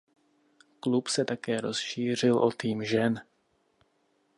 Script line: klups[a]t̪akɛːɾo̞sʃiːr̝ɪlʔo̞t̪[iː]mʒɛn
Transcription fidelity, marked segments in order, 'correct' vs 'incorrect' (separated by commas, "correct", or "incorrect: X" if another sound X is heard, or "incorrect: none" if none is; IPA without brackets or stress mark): incorrect: ɛ, correct